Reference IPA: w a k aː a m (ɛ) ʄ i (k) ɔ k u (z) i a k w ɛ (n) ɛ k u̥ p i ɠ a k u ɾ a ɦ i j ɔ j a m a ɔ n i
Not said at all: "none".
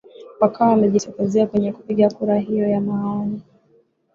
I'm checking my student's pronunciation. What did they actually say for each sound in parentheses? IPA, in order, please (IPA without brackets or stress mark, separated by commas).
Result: ɛ, t, z, ɲ